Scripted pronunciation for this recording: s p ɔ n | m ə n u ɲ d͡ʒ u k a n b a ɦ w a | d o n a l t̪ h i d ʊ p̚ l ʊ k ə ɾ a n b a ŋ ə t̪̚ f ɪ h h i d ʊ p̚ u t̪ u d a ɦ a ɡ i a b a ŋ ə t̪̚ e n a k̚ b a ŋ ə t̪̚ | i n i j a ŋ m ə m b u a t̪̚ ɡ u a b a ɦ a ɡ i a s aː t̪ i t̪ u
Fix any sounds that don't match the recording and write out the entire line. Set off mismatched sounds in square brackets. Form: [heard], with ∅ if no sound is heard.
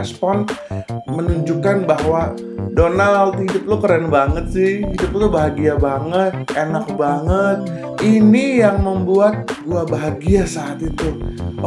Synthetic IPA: s p ɔ n | m ə n u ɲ d͡ʒ u k a n b a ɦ w a | d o n a l t̪ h i d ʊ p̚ l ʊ k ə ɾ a n b a ŋ ə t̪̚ [s] ɪ h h i d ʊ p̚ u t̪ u [b] a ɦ a ɡ i a b a ŋ ə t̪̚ e n a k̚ b a ŋ ə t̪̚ | i n i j a ŋ m ə m b u a t̪̚ ɡ u a b a ɦ a ɡ i a s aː t̪ i t̪ u